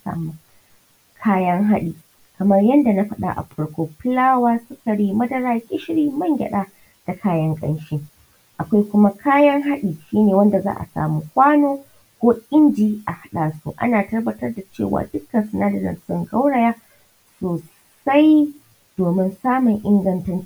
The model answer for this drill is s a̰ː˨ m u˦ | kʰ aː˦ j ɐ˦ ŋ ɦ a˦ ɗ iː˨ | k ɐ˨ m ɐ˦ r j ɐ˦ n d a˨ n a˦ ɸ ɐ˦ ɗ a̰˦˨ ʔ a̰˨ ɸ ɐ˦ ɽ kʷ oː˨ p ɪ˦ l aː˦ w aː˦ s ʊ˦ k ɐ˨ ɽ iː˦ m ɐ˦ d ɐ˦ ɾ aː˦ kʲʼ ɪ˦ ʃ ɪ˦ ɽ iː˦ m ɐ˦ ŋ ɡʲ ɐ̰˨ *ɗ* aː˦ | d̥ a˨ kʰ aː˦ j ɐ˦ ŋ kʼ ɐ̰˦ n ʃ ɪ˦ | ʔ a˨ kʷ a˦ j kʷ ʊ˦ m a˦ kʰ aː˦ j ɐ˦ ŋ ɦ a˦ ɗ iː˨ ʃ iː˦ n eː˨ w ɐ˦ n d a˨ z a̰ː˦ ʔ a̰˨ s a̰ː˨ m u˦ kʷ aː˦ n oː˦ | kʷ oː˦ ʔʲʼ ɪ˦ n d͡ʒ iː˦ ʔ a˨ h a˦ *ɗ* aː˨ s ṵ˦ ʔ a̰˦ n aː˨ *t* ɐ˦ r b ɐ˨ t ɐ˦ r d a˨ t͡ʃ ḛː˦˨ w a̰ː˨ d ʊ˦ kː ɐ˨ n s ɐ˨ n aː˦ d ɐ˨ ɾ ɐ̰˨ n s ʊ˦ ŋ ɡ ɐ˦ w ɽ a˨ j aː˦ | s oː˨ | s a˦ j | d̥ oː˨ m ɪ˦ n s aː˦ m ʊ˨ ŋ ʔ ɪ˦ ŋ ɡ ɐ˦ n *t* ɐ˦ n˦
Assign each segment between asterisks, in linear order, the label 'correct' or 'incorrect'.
correct, correct, correct, correct

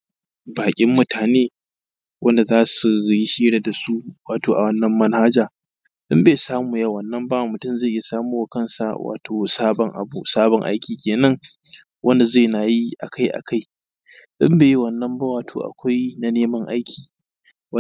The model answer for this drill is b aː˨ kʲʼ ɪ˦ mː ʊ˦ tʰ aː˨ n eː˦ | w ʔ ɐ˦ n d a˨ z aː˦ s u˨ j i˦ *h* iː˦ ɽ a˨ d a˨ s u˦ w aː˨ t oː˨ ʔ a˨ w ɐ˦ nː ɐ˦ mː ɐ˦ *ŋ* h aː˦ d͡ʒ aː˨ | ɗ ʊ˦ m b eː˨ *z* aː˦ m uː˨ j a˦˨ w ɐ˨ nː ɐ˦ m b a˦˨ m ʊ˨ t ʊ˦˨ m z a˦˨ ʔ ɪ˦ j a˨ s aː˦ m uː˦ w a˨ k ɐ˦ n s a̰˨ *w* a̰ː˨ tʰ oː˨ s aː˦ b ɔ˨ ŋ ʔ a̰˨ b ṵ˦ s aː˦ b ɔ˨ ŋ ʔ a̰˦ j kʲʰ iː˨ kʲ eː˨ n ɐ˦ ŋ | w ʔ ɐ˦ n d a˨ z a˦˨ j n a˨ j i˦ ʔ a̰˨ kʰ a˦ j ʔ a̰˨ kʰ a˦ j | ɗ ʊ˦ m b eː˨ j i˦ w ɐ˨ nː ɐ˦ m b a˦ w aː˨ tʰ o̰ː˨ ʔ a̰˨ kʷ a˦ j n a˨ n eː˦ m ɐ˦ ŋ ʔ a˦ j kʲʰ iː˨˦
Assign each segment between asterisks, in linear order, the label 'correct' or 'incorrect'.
incorrect: ʃ, incorrect: n, incorrect: s, correct

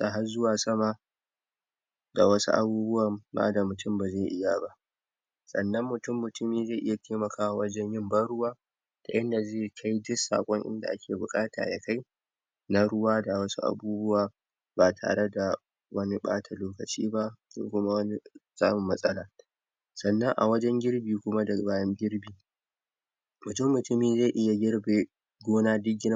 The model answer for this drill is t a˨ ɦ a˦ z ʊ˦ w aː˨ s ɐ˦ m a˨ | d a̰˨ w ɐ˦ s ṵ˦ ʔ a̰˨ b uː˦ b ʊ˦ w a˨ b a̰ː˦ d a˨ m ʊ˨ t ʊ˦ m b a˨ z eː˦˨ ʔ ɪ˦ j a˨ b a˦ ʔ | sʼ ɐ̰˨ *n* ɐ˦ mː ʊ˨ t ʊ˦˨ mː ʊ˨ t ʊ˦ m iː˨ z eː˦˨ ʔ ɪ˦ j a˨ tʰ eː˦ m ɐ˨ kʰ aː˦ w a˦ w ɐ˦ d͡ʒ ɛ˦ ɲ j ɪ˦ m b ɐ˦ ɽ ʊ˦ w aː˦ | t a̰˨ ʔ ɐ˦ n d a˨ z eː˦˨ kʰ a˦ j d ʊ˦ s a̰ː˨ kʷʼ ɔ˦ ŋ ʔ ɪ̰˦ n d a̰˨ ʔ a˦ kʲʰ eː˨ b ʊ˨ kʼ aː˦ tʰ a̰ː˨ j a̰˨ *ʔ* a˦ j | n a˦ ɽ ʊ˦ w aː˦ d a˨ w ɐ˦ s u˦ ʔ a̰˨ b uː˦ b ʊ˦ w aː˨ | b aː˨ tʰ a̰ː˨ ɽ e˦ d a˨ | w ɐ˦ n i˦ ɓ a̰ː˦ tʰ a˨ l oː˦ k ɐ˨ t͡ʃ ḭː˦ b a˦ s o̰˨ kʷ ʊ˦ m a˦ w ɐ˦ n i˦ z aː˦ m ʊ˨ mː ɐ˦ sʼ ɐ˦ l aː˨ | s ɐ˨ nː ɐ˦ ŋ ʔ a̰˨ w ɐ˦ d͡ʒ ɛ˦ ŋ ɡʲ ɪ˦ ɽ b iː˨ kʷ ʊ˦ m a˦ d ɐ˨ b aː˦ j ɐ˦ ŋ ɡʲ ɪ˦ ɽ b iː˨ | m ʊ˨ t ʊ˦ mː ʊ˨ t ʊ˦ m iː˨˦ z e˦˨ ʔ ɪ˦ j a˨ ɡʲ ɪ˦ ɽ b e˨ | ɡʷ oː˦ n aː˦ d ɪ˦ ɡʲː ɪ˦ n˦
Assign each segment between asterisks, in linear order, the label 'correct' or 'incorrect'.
incorrect: nː, incorrect: k

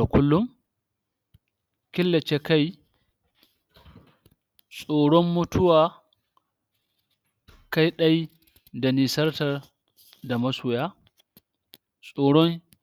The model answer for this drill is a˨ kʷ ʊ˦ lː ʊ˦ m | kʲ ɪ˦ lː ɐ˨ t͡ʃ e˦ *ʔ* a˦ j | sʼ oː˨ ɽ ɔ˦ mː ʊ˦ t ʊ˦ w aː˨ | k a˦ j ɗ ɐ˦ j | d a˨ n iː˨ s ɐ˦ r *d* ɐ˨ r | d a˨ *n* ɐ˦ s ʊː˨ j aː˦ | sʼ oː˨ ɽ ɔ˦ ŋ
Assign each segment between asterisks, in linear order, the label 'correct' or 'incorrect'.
incorrect: k, incorrect: t, incorrect: m

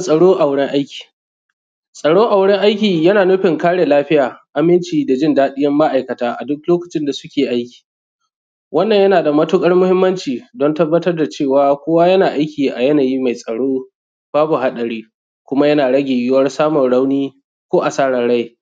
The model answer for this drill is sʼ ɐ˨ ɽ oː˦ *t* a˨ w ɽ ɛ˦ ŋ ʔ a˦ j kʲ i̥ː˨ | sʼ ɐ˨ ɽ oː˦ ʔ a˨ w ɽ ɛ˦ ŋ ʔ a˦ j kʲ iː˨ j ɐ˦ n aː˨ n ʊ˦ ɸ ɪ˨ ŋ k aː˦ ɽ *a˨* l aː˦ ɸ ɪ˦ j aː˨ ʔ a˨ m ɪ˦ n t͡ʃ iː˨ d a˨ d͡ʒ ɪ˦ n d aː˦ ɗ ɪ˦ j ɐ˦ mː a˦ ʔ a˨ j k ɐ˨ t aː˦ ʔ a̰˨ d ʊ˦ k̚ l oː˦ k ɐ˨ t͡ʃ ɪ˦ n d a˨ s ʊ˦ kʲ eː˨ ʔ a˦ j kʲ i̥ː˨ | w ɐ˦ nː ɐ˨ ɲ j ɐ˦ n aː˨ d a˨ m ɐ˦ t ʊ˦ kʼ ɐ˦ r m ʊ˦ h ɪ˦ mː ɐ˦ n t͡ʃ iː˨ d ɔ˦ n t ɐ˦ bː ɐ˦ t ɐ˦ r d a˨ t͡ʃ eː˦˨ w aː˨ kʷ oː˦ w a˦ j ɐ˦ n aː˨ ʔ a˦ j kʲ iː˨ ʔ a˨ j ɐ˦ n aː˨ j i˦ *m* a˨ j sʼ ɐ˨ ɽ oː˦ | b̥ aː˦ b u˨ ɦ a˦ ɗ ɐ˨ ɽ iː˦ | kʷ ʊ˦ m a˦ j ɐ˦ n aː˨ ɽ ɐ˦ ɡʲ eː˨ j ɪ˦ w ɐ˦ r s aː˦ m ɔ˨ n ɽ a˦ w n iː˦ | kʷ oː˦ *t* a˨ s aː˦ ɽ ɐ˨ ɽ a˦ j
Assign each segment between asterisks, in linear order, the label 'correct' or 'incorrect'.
incorrect: ʔ, incorrect: e˨, correct, incorrect: ʔ

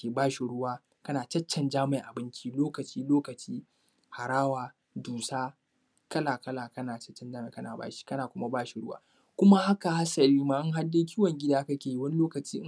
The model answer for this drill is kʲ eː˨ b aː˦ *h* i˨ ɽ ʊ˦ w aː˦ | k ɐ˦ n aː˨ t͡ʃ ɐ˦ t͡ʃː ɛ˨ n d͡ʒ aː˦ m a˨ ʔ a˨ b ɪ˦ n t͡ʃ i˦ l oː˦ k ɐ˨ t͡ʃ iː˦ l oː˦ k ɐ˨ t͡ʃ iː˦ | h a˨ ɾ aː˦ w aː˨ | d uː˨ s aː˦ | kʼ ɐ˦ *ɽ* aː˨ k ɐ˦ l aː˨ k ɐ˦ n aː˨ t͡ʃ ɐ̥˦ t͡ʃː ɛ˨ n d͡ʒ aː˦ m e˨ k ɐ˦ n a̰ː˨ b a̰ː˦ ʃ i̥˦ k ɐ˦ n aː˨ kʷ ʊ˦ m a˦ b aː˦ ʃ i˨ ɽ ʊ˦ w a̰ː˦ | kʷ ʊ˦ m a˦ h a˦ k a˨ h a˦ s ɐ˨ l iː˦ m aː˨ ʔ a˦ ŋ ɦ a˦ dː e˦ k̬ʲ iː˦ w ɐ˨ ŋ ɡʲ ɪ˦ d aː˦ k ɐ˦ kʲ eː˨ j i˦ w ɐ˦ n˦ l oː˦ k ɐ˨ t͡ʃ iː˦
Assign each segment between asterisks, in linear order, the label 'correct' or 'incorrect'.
incorrect: ʃ, incorrect: l

